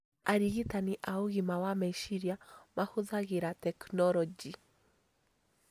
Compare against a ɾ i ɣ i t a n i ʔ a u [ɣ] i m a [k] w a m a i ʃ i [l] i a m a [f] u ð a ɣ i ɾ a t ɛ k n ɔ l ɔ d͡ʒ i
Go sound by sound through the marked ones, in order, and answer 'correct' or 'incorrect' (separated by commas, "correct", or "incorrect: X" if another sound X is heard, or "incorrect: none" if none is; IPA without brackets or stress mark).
correct, incorrect: none, incorrect: ɾ, incorrect: h